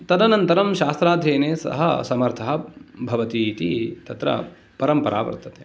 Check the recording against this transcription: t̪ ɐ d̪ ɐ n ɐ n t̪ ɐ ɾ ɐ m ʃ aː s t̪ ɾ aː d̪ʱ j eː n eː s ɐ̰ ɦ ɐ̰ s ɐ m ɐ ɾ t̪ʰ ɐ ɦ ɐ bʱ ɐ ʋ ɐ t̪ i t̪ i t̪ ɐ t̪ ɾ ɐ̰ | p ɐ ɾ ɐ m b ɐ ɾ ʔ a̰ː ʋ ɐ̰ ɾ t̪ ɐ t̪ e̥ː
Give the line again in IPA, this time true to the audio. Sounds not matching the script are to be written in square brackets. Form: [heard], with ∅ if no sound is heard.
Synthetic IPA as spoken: t̪ ɐ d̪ ɐ n ɐ n t̪ ɐ ɾ ɐ m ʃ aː s t̪ ɾ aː d̪ʱ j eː n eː s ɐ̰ ɦ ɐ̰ s ɐ m ɐ ɾ t̪ʰ ɐ ɦ ɐ bʱ ɐ ʋ ɐ t̪ i t̪ i t̪ ɐ t̪ ɾ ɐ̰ | p ɐ ɾ ɐ m [p] ɐ ɾ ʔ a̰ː ʋ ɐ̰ ɾ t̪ ɐ t̪ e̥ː